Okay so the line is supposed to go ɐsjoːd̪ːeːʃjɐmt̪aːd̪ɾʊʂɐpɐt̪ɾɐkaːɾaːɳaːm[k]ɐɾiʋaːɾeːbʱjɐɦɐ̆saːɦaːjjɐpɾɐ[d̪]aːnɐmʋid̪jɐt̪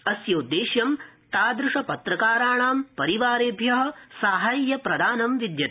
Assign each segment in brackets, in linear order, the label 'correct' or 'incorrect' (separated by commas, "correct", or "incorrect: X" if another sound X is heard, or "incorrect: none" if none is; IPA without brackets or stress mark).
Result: incorrect: p, correct